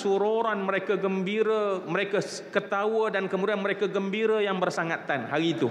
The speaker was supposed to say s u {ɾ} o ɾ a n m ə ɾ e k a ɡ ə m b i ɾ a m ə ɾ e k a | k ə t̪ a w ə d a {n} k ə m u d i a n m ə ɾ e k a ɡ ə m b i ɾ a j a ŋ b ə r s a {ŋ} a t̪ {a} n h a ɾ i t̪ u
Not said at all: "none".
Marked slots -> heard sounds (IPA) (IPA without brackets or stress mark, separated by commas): ɾ, n, ŋ, a